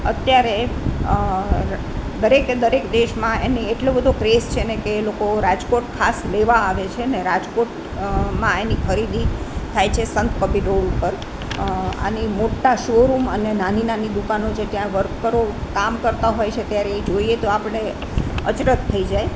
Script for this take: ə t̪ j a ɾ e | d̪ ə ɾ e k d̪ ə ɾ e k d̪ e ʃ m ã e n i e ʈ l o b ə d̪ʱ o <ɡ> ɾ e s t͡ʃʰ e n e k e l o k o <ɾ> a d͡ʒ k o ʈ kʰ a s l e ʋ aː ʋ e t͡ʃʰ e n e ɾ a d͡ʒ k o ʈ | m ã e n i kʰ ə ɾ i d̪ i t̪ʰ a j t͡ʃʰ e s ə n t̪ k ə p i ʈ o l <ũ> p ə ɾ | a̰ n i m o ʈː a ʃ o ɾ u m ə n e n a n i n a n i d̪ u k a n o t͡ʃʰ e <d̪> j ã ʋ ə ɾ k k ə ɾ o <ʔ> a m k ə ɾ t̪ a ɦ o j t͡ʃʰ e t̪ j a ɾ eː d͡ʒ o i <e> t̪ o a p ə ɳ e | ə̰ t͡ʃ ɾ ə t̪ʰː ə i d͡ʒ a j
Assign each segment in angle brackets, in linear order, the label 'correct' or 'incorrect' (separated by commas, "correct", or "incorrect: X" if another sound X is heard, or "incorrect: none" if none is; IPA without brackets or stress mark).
incorrect: k, correct, incorrect: u, incorrect: t̪, incorrect: k, correct